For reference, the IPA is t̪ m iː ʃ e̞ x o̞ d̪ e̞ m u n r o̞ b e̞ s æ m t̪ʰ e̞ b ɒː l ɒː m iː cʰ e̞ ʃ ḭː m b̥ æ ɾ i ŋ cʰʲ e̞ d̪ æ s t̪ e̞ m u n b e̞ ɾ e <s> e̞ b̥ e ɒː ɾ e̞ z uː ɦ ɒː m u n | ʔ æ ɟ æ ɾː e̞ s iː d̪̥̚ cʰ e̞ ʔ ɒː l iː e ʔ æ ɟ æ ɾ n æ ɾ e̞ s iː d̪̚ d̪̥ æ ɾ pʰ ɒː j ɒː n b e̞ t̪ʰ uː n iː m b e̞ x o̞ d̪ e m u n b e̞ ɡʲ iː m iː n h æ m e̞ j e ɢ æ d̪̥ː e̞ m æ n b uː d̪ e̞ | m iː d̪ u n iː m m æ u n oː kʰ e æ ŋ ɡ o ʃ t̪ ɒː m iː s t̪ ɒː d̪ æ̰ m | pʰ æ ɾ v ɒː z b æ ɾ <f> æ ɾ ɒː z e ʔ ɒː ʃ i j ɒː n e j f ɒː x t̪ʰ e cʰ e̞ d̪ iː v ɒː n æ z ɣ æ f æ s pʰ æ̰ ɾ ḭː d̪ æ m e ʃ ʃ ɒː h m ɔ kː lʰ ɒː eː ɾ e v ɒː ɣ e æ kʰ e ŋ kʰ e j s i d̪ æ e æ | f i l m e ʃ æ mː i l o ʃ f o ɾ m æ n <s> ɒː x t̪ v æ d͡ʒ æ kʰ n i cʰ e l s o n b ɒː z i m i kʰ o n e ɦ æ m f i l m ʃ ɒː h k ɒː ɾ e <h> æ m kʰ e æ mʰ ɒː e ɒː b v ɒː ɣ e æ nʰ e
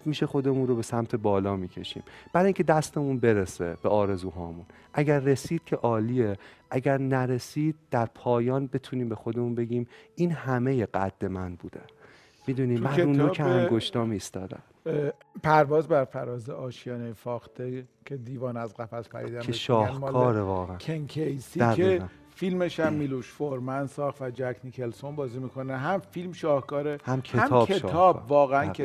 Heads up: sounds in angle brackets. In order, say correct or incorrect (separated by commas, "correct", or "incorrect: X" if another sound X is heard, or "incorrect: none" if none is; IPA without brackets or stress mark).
correct, correct, correct, correct